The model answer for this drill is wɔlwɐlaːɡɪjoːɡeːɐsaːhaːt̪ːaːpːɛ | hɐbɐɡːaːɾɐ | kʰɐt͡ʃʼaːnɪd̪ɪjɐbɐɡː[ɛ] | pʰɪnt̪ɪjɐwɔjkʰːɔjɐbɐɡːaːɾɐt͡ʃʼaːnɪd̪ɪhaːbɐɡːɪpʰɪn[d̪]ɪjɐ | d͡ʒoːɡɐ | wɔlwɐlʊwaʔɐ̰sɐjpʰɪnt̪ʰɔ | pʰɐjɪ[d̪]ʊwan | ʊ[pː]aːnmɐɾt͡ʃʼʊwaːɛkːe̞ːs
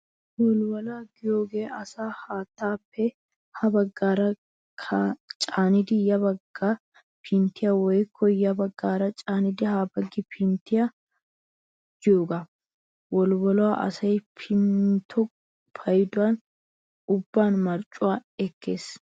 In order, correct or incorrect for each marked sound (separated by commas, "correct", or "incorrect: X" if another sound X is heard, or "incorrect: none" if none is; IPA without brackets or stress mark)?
incorrect: a, incorrect: t̪, correct, incorrect: bː